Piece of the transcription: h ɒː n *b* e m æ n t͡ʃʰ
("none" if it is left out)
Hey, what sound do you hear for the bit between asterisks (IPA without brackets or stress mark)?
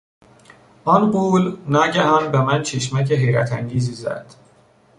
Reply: b